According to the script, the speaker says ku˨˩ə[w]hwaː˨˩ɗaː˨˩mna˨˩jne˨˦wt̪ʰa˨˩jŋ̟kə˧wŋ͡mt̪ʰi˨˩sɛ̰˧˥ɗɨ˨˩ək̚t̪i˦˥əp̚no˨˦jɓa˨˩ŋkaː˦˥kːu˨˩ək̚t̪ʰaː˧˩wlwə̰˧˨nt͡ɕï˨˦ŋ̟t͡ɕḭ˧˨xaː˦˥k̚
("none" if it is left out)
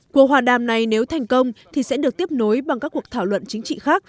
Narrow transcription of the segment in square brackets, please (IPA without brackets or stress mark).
none